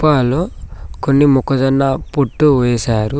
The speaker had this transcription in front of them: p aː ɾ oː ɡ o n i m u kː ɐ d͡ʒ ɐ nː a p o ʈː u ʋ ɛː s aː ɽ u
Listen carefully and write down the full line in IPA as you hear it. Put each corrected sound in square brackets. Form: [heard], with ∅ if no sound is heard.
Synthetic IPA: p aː [l] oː [k] o [nː] i m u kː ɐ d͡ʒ ɐ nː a p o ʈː u ʋ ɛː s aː [ɾ] u